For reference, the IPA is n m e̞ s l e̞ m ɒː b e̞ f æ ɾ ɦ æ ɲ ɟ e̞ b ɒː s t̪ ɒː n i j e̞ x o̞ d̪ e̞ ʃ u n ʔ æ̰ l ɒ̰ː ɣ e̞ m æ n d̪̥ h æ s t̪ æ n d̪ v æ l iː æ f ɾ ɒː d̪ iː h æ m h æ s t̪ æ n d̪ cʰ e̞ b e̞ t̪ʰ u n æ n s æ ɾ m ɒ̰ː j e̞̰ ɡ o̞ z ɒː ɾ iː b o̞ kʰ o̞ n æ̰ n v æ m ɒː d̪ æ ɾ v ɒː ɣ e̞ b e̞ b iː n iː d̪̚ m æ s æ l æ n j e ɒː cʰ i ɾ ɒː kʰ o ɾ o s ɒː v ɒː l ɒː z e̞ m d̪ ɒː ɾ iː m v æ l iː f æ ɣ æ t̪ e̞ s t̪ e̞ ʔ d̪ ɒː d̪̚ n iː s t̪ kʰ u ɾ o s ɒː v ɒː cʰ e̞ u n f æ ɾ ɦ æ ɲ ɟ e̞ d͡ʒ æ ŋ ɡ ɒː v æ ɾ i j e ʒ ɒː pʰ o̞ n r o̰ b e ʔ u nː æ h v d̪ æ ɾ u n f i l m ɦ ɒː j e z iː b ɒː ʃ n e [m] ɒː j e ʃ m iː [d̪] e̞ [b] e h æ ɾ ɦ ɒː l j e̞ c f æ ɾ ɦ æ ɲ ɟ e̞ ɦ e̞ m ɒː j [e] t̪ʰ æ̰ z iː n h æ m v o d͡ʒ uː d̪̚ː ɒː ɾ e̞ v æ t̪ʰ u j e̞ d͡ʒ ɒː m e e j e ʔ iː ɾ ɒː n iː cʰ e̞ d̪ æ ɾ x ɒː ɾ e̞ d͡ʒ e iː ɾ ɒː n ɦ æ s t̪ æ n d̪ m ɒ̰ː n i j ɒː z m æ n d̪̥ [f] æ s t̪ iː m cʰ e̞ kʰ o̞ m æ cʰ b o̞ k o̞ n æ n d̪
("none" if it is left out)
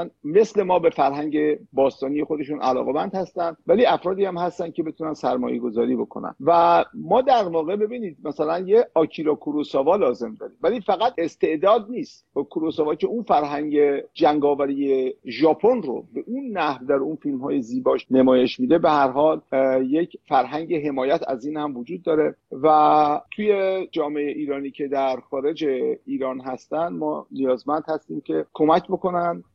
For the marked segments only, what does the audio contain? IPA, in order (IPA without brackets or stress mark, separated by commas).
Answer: m, d̪, b, æ, h